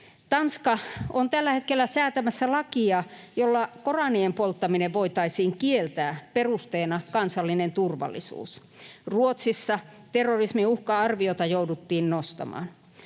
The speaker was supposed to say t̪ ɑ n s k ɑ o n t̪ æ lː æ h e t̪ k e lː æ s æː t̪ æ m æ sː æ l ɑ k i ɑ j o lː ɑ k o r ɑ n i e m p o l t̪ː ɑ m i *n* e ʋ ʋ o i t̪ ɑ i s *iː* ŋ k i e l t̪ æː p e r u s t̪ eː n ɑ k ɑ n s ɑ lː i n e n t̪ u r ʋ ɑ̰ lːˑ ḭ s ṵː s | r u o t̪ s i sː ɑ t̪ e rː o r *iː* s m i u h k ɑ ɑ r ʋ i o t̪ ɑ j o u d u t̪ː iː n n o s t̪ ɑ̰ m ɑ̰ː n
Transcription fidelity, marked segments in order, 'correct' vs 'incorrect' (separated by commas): correct, correct, incorrect